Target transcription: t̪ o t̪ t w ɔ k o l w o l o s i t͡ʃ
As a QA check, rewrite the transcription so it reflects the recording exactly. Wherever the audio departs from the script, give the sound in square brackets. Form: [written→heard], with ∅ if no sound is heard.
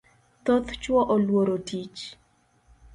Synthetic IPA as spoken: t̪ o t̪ [t→t͡ʃ] w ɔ [k→ʔ] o l w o [l→ɾ] o [s→t] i t͡ʃ